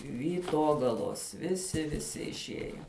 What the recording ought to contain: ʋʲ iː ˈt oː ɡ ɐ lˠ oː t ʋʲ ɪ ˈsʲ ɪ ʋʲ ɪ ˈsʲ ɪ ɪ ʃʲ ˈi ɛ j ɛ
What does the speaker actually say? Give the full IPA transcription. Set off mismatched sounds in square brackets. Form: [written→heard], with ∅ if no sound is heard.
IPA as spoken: ʋʲ iː ˈt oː ɡ ɐ lˠ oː [t→s] ʋʲ ɪ ˈsʲ ɪ ʋʲ ɪ ˈsʲ ɪ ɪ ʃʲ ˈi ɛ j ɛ